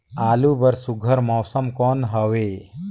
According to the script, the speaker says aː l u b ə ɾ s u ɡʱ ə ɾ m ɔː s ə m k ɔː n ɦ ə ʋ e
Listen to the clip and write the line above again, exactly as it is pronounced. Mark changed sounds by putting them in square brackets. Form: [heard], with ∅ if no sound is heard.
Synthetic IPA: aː l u b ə ɾ s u ɡʱ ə ɾ m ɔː s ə m k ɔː n ɦ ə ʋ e